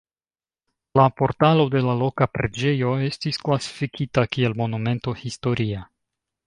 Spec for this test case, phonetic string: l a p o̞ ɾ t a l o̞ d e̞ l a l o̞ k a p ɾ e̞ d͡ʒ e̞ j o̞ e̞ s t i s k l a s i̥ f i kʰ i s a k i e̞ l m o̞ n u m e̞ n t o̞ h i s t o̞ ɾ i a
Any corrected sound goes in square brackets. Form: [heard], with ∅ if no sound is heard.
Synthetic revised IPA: l a p o̞ ɾ t a l o̞ d e̞ l a l o̞ k a p ɾ e̞ d͡ʒ e̞ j o̞ e̞ s t i s k l a s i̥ f i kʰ i [t] a k i e̞ l m o̞ n u m e̞ n t o̞ h i s t o̞ ɾ i a